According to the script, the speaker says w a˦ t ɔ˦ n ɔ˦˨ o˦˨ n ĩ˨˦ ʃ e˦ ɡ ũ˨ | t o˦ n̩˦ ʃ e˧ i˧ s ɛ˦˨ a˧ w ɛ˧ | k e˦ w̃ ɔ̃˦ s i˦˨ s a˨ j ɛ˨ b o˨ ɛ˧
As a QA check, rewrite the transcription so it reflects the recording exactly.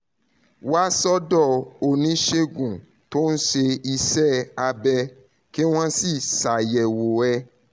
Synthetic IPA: w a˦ s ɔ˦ d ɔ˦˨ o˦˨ n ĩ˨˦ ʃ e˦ ɡ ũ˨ | t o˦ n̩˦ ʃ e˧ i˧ s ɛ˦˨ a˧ b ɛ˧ | k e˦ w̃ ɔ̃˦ s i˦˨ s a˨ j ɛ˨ w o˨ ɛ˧

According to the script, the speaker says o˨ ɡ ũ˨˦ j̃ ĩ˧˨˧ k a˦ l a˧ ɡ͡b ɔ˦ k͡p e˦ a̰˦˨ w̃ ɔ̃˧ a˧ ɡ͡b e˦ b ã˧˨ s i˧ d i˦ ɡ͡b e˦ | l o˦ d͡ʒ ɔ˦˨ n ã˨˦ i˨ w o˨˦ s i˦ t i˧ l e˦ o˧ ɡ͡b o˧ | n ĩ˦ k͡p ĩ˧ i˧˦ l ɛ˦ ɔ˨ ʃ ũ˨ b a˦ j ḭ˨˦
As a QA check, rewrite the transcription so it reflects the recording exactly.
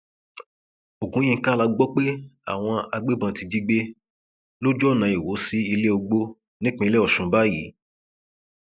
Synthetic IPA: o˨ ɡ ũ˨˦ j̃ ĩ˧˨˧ k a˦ l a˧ ɡ͡b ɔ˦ k͡p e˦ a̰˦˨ w̃ ɔ̃˧ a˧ ɡ͡b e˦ b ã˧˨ t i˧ d͡ʒ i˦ ɡ͡b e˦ | l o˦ d͡ʒ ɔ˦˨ n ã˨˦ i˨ w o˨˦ s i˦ i˧ l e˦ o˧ ɡ͡b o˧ | n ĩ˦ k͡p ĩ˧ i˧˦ l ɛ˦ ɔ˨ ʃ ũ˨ b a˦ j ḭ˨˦

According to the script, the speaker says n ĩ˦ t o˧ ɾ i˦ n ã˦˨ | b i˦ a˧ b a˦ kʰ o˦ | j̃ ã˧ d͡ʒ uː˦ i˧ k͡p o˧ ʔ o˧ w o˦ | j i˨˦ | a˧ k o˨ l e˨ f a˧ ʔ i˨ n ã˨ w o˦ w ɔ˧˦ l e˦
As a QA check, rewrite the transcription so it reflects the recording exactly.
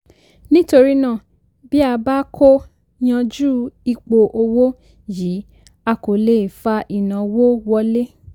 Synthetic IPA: n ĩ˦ t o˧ ɾ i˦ n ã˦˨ | b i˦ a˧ b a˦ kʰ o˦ | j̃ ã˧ d͡ʒ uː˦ i˧ k͡p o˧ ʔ o˧ w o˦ | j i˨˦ | a˧ k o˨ l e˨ f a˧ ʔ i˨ n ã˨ w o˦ w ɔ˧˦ l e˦

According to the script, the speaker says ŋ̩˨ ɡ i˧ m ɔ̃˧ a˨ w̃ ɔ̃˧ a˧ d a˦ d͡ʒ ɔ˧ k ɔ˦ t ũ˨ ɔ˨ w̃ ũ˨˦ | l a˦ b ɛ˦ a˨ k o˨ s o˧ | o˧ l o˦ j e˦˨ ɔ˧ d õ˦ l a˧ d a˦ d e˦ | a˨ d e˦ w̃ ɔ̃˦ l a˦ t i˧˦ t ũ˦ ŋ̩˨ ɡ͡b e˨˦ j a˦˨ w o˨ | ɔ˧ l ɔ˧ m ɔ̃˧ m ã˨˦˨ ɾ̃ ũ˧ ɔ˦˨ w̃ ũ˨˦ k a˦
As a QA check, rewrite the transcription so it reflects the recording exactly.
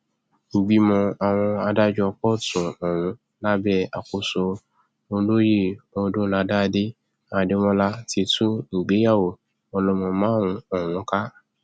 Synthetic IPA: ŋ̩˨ ɡ͡b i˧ m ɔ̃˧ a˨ w̃ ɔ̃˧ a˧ d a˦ d͡ʒ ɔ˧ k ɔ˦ t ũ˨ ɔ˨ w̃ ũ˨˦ | l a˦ b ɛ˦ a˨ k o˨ s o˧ | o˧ l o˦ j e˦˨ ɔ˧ d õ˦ l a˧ d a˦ d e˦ | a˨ d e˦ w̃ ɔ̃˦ l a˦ t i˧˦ t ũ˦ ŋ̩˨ ɡ͡b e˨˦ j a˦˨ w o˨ | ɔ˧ l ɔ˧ m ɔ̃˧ m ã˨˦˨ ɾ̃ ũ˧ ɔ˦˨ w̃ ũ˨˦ k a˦

